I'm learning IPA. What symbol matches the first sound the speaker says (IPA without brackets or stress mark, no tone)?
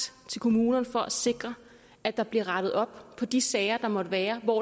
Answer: t͡sʰ